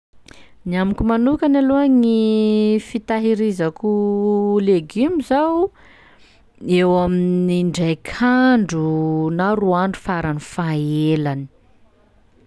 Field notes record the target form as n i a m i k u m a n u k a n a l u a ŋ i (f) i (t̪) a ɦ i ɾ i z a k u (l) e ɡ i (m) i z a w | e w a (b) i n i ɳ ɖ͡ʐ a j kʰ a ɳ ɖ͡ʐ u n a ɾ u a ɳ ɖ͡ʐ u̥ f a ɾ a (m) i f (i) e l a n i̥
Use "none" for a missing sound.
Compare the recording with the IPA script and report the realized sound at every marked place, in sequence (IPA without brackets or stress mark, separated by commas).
f, t̪, l, m, m, n, a